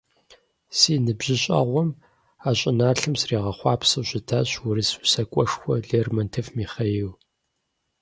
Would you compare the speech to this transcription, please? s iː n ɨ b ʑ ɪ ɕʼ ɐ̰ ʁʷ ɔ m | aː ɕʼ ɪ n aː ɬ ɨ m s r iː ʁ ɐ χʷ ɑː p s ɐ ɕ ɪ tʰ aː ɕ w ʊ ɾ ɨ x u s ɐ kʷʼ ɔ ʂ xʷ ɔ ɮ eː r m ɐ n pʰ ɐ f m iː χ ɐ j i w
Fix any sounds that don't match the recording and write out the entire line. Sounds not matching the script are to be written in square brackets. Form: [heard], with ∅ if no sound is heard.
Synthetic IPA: s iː n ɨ b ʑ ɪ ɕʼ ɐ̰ ʁʷ ɔ m | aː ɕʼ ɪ n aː ɬ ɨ m s r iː ʁ ɐ χʷ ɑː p s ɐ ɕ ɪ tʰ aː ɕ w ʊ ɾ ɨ [s] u s ɐ kʷʼ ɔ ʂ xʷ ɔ ɮ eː r m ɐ n [tʰ] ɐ f m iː χ ɐ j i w

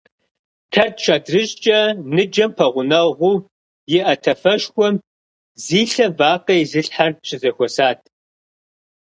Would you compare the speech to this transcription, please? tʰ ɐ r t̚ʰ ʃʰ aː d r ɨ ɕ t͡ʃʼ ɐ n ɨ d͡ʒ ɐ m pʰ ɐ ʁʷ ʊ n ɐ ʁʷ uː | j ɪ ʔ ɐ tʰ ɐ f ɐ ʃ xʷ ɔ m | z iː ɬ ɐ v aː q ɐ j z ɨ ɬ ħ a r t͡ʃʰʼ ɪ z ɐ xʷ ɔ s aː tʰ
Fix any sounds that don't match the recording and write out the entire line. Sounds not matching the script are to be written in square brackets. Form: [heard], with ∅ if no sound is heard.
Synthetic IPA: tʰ ɐ r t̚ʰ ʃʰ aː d r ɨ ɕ t͡ʃʼ ɐ n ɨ d͡ʒ ɐ m pʰ ɐ ʁʷ ʊ n ɐ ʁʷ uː | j ɪ ʔ ɐ tʰ ɐ f ɐ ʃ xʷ ɔ m | z iː ɬ ɐ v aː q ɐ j z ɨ ɬ ħ a r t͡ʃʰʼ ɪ z ɐ xʷ ɔ s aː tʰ

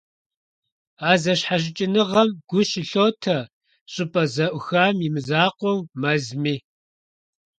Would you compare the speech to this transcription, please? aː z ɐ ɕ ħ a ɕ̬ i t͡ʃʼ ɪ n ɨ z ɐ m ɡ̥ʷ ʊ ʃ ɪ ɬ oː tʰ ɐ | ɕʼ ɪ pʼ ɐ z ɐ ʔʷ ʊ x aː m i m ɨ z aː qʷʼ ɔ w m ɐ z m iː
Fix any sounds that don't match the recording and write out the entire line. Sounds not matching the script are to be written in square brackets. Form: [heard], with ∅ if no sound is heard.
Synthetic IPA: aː z ɐ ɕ ħ a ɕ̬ [ɪ] t͡ʃʼ ɪ n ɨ [ʁ] ɐ m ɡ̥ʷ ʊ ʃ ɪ ɬ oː tʰ ɐ | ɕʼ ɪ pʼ ɐ z ɐ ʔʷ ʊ x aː m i m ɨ z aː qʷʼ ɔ w m ɐ z m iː

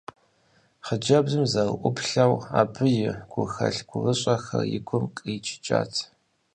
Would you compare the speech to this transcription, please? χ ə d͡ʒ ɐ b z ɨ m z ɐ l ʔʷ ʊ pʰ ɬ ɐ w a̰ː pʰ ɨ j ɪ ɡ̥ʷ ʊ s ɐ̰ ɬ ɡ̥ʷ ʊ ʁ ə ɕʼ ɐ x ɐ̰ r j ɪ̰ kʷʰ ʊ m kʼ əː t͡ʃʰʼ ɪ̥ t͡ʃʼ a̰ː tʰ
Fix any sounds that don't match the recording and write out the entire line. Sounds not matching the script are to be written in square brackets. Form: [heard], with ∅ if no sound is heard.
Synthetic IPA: χ ə d͡ʒ ɐ b z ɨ m z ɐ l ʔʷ ʊ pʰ ɬ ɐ w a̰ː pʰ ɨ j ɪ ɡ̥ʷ ʊ [x] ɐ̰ ɬ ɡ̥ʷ ʊ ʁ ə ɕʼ ɐ x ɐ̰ r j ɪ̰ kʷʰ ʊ m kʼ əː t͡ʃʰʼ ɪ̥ t͡ʃʼ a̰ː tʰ

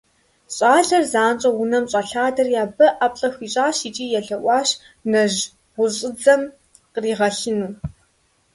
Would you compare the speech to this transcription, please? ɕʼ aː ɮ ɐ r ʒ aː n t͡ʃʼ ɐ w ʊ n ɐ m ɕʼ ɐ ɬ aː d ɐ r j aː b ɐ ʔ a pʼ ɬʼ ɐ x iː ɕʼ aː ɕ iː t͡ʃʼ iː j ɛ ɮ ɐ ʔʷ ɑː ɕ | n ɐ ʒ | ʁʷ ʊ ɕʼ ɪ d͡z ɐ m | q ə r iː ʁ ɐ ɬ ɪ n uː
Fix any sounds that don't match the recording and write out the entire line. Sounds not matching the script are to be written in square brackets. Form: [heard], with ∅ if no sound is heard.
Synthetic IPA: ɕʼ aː ɮ ɐ r [z] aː n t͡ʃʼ ɐ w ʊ n ɐ m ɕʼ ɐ ɬ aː d ɐ r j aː b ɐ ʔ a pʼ ɬʼ ɐ x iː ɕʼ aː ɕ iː t͡ʃʼ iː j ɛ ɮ ɐ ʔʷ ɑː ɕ | n ɐ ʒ | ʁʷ ʊ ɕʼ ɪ d͡z ɐ m | q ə r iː ʁ ɐ ɬ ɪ n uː

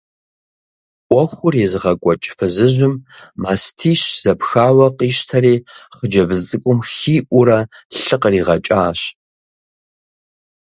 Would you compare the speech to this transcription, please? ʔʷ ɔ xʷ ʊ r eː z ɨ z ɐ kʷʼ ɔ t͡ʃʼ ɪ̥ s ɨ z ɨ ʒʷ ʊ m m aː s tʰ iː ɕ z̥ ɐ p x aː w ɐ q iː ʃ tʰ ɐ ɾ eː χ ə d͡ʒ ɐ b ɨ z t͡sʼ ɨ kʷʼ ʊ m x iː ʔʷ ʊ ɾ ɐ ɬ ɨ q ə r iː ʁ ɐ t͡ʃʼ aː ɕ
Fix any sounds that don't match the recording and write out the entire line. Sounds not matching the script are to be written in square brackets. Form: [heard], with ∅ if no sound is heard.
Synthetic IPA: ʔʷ ɔ xʷ ʊ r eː z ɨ [ʁ] ɐ kʷʼ ɔ t͡ʃʼ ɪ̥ [f] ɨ z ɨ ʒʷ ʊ m m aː s tʰ iː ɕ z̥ ɐ p x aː w ɐ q iː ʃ tʰ ɐ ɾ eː χ ə d͡ʒ ɐ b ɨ z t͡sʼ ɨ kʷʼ ʊ m x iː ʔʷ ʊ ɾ ɐ ɬ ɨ q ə r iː ʁ ɐ t͡ʃʼ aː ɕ

